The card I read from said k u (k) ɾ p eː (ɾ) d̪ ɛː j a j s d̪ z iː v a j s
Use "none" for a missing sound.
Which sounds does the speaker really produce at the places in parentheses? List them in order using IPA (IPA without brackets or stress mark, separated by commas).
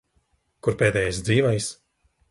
none, none